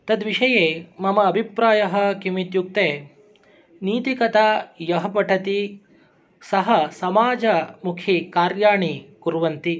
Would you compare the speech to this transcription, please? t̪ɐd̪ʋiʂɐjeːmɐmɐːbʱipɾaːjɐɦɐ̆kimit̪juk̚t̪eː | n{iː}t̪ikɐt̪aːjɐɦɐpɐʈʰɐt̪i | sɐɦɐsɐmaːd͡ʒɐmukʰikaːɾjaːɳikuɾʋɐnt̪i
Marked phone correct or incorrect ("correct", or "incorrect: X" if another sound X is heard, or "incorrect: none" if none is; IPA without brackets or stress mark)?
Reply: correct